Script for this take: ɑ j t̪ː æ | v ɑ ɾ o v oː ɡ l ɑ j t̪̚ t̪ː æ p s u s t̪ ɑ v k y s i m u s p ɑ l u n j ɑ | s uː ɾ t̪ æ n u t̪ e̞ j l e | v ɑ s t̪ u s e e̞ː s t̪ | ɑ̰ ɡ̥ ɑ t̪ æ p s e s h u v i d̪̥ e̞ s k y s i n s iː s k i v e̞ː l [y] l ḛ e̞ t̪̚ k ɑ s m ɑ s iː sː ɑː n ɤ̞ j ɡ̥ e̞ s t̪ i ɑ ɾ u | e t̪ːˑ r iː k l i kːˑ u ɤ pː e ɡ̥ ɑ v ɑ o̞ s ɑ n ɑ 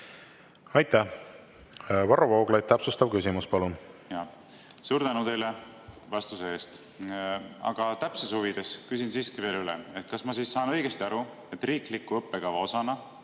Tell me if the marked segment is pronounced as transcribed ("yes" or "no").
yes